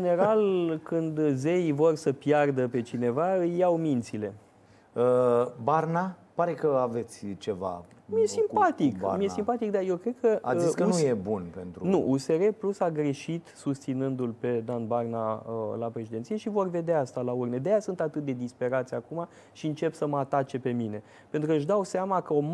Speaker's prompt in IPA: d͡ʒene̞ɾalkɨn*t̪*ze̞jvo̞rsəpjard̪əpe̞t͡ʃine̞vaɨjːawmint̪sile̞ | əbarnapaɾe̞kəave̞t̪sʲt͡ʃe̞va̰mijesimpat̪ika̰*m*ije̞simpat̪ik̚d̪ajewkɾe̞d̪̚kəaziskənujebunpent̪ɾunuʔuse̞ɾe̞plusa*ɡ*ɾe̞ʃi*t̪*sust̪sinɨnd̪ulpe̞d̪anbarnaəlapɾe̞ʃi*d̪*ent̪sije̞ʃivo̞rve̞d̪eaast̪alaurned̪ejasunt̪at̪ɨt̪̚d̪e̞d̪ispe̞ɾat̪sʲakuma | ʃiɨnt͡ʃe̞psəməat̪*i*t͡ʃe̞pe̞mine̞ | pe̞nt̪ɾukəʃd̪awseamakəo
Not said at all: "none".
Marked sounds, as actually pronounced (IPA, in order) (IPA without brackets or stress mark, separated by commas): d̪, m, ɡ, t̪, d̪, a